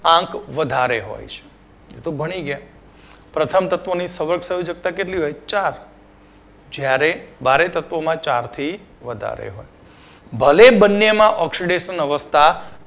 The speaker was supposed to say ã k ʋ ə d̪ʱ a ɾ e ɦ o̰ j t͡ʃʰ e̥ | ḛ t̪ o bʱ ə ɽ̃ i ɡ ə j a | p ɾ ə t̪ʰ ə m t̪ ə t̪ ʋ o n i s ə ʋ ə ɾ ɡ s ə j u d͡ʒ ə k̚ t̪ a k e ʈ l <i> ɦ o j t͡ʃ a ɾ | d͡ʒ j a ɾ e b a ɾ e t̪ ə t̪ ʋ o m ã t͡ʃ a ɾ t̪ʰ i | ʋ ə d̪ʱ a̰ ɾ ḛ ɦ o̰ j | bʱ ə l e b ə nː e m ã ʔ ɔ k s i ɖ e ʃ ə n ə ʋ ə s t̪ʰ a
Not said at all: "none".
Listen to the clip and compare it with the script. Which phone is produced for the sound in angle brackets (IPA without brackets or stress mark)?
i